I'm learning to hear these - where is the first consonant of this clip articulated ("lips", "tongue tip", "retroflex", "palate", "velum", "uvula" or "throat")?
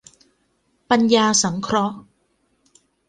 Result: lips